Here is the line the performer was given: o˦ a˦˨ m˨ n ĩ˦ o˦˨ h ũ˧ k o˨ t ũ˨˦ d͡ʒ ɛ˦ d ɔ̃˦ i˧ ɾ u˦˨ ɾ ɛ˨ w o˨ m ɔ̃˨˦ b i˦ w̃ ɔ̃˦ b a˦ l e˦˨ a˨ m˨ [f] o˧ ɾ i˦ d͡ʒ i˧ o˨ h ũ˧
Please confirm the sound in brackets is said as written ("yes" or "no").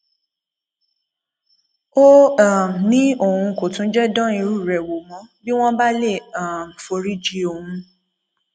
yes